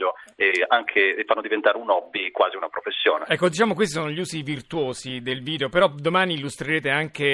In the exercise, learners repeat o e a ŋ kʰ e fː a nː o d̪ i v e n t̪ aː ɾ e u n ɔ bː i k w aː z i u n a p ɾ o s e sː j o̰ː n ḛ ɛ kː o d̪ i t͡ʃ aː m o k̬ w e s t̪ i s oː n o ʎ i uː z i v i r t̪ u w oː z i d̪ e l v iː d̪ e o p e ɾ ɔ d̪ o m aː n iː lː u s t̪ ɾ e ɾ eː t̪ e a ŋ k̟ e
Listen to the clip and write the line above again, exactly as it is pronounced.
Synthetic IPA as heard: o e a ŋ kʰ e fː a nː o d̪ i v e n t̪ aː ɾ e u n ɔ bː i k w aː z i u n a p ɾ o f e sː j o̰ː n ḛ ɛ kː o d̪ i t͡ʃ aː m o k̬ w e s t̪ i s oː n o ʎ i uː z i v i r t̪ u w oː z i d̪ e l v iː d̪ e o p e ɾ ɔ d̪ o m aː n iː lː u s t̪ ɾ e ɾ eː t̪ e a ŋ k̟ e